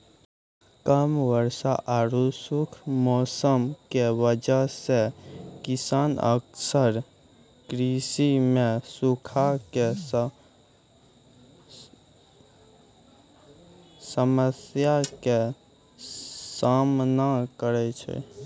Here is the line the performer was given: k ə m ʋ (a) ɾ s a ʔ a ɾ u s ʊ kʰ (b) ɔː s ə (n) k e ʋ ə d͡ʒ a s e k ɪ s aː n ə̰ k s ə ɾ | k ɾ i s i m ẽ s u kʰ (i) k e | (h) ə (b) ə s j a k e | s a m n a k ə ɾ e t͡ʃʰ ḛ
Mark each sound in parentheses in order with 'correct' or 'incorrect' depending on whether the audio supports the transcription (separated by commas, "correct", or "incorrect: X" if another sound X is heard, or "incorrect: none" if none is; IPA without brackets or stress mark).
incorrect: ə, incorrect: m, incorrect: m, incorrect: a, incorrect: s, incorrect: m